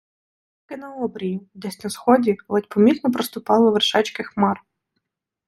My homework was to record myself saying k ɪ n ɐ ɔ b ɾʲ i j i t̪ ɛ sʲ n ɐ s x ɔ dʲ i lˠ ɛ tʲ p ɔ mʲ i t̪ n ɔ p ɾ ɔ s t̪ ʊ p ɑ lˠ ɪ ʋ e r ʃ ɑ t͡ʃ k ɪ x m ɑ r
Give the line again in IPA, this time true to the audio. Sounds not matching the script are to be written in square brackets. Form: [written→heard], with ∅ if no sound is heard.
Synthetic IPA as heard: k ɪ n ɐ ɔ b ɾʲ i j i [t̪→d̪] ɛ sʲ n ɐ s x ɔ dʲ i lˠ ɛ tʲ p ɔ mʲ i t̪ n ɔ p ɾ ɔ s t̪ ʊ p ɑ lˠ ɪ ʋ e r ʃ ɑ t͡ʃ k ɪ x m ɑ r